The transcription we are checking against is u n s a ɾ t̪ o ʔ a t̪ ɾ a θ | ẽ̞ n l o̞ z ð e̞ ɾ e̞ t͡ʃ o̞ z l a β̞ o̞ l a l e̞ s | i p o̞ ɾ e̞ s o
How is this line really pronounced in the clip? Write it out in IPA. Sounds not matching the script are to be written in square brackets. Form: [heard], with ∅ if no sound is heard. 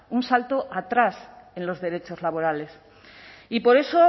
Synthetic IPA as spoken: u n s a [l] t̪ o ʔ a t̪ ɾ a [s] | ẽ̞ n l o̞ z ð e̞ ɾ e̞ t͡ʃ o̞ z l a β̞ o̞ [ɾ] a l e̞ s | i p o̞ ɾ e̞ s o